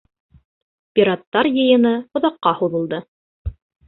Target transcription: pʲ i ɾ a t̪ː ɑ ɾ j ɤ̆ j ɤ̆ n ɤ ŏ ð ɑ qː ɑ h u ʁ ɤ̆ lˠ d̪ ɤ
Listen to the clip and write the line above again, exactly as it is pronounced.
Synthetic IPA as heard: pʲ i ɾ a t̪ː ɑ ɾ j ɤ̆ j ɤ̆ n ɤ ŏ ð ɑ qː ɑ h u ð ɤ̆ lˠ d̪ ɤ

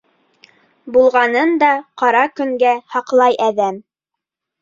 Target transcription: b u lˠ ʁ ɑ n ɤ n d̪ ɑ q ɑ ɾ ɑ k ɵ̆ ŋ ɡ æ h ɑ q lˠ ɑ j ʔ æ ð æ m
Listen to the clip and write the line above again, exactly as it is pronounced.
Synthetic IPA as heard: b u lˠ ʁ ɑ n ɤ n d̪ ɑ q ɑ ɾ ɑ k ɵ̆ ŋ ɡ æ h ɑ q lˠ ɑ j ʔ æ ð æ m

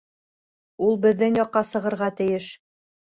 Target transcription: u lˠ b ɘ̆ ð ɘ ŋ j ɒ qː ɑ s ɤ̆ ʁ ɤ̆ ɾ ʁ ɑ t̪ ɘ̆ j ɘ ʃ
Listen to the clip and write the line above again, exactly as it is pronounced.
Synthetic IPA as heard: u lˠ b ɘ̆ ðː ɘ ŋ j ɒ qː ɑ s ɤ̆ ʁ ɤ̆ ɾ ʁ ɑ t̪ ɘ̆ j ɘ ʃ

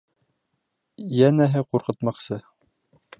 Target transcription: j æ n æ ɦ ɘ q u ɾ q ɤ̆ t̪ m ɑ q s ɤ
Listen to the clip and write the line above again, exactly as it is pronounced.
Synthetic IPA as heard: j æ n æ ɦ ɘ q u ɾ q ɤ̆ t̪ m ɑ q s ɤ

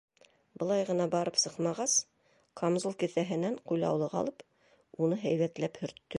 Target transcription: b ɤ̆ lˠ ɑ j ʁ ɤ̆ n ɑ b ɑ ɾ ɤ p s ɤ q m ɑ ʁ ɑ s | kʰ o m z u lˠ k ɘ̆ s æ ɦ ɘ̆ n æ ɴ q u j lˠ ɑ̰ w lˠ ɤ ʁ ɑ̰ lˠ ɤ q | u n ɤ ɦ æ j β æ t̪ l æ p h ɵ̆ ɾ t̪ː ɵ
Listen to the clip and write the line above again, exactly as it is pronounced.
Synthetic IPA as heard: b ɤ̆ lˠ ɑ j ʁ ɤ̆ n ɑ b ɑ ɾ ɤ p s ɤ q m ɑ ʁ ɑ s | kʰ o m z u lˠ k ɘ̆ θ æ ɦ ɘ̆ n æ ɴ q u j lˠ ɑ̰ w lˠ ɤ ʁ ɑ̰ lˠ ɤ p | u n ɤ ɦ æ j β æ t̪ l æ p h ɵ̆ ɾ t̪ː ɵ

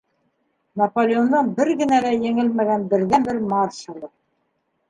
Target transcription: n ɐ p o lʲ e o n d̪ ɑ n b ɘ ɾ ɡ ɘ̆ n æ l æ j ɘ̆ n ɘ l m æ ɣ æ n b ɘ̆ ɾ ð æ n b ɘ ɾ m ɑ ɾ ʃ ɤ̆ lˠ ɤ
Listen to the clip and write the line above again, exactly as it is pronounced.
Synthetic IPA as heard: n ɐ p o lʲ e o n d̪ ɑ n b ɘ ɾ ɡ ɘ̆ n æ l æ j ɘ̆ ŋ ɘ l m æ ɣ æ n b ɘ̆ ɾ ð æ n b ɘ ɾ m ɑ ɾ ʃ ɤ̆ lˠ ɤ

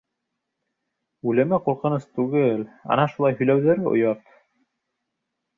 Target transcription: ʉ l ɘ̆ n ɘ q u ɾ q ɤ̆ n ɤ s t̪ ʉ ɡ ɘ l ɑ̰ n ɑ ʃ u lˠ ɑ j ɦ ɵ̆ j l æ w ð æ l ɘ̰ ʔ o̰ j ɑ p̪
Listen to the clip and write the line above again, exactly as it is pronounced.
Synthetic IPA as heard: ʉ l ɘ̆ m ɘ q u ɾ q ɤ̆ n ɤ s t̪ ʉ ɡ ɘ l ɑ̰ n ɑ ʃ u lˠ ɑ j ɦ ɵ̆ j l æ w ð æ ɾ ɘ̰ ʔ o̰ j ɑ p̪

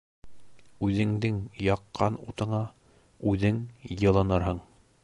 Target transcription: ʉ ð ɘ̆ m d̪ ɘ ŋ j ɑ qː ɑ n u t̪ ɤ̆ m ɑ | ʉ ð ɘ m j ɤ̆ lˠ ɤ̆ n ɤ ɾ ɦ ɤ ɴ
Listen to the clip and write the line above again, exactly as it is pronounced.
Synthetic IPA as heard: ʉ ð ɘ̆ ŋ d̪ ɘ ŋ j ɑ qː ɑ n u t̪ ɤ̆ ɴ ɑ | ʉ ð ɘ ŋ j ɤ̆ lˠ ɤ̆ n ɤ ɾ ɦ ɤ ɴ

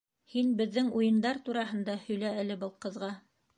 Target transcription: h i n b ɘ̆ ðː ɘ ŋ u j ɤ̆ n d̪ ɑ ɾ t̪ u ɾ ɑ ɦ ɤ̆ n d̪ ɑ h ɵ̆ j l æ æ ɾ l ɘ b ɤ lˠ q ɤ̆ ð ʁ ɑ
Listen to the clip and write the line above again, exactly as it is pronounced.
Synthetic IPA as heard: h i n b ɘ̆ ðː ɘ ŋ u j ɤ̆ n d̪ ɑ ɾ t̪ u ɾ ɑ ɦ ɤ̆ n d̪ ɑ h ɵ̆ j l æ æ l ɘ b ɤ lˠ q ɤ̆ ð ʁ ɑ

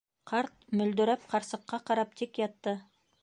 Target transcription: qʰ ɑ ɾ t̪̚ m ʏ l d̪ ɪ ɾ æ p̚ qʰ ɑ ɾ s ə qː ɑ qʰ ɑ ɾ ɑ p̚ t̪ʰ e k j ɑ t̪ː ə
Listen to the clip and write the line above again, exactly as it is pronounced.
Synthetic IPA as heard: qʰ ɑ ɾ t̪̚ m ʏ l d̪ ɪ ɾ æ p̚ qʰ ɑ ɾ s ə qː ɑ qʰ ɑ ɾ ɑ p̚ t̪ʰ e k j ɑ t̪ː ə

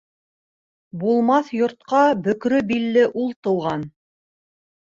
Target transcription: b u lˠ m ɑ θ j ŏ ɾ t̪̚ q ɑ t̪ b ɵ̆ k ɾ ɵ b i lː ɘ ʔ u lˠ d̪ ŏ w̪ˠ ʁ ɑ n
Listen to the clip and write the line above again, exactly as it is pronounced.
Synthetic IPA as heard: b u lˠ m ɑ θ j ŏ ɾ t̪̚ q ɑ b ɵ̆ k ɾ ɵ b i lː ɘ ʔ u lˠ t̪ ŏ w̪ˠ ʁ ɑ n

